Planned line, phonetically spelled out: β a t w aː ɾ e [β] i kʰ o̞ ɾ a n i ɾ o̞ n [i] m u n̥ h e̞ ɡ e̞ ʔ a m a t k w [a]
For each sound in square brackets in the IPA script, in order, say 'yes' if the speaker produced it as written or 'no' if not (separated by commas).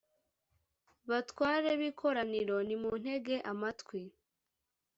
yes, yes, no